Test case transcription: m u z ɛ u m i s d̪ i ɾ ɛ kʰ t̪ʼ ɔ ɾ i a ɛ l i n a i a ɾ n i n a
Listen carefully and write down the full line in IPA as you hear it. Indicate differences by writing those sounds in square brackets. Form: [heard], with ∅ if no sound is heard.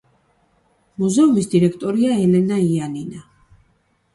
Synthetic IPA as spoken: m u z ɛ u m i s d̪ i ɾ ɛ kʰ t̪ʼ ɔ ɾ i a ɛ l [ɛ] n a i a [∅] n i n a